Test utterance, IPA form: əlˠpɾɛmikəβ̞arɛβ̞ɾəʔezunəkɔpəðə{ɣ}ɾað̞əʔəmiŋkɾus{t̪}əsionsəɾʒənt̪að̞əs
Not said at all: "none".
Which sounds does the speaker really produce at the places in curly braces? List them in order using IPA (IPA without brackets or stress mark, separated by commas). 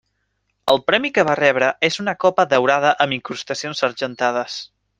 w, t̪